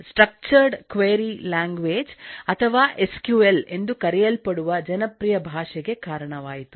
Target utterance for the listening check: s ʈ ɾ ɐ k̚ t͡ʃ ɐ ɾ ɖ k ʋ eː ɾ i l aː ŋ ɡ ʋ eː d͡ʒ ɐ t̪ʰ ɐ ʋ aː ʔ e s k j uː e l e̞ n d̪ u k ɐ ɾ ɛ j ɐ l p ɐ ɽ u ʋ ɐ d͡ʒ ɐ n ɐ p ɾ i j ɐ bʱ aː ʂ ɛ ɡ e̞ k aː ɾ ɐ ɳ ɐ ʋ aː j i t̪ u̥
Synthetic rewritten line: s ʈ ɾ ɐ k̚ t͡ʃ ɐ ɾ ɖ k ʋ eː ɾ i l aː ŋ ɡ ʋ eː d͡ʒ ɐ t̪ʰ ɐ ʋ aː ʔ e s k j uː e l e̞ n d̪ u k ɐ ɾ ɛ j ɐ l p ɐ ɽ u ʋ ɐ d͡ʒ ɐ n ɐ p ɾ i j ɐ bʱ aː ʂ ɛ ɡ e̞ k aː ɾ ɐ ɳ ɐ ʋ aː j i t̪ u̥